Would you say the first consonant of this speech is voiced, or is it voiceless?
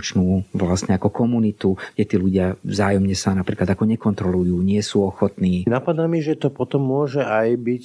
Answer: voiceless